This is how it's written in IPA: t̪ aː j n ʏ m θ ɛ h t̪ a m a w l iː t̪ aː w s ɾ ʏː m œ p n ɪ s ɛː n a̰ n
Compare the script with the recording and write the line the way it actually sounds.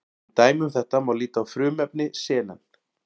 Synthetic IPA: t̪ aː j m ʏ m θ ɛ h t̪ a m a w l iː t̪ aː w f ɾ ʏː m ɛ p n ɪ s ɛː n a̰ n